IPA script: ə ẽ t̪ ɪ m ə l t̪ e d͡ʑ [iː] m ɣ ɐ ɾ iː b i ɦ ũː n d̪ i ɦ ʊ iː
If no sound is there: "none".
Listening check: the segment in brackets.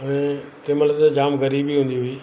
aː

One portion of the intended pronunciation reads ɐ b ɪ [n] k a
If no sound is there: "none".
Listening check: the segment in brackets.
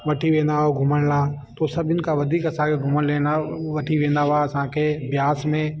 n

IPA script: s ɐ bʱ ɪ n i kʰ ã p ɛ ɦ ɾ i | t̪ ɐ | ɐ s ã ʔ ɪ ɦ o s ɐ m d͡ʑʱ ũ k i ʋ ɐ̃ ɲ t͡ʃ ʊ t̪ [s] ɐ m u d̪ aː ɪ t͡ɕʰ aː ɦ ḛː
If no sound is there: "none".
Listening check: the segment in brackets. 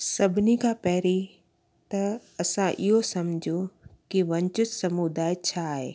s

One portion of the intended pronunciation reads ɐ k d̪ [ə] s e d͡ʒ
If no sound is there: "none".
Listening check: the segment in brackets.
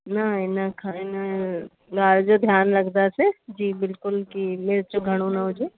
a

